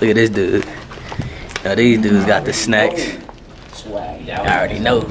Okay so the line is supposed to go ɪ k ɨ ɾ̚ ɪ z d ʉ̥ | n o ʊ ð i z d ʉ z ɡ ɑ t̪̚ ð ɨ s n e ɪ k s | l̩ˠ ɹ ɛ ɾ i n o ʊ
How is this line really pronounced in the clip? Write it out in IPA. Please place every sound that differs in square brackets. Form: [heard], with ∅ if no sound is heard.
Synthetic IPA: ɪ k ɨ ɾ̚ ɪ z d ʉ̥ | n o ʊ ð i z d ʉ z ɡ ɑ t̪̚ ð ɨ s n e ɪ k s | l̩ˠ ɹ ɛ ɾ i n o ʊ